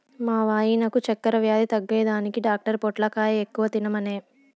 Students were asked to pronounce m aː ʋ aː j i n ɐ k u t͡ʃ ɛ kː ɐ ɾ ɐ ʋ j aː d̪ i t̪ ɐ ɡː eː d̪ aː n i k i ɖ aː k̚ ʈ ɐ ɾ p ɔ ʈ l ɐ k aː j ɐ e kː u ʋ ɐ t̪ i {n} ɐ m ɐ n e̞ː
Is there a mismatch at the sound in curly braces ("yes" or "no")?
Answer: no